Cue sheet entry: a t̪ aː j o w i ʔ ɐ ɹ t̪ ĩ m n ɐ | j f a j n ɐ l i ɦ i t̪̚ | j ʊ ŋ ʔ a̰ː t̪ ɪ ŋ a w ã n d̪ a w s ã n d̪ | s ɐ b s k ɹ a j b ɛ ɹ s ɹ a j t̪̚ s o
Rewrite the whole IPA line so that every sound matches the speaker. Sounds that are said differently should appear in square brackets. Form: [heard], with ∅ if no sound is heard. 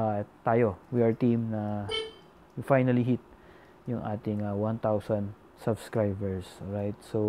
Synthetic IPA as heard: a t̪ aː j o w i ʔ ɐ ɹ t̪ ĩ m n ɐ | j f a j n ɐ l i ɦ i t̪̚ | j ʊ ŋ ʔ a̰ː t̪ ɪ ŋ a w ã n [t̪] a w s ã n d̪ | s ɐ b s k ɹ a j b ɛ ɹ s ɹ a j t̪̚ s o